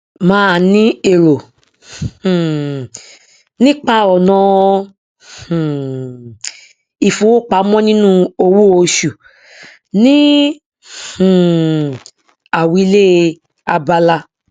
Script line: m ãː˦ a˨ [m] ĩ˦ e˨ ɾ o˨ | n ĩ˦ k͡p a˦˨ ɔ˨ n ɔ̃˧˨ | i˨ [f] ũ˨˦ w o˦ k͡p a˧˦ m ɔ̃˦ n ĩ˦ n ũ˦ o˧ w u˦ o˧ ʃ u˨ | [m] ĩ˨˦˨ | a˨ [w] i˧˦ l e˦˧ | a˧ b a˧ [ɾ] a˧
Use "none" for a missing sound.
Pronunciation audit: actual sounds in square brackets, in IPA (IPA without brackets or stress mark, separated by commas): n, f, n, w, l